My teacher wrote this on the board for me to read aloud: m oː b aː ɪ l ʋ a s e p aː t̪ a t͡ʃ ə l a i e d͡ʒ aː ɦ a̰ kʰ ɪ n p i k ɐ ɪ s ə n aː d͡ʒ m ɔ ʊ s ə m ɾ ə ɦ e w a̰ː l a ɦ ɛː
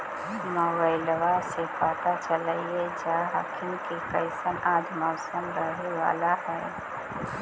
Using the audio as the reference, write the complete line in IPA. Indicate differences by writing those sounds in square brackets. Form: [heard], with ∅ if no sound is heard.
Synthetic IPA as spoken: m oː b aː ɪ l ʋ a s e p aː t̪ a t͡ʃ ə l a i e d͡ʒ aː ɦ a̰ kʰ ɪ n [k] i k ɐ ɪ s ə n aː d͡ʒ m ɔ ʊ s ə m ɾ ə ɦ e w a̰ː l a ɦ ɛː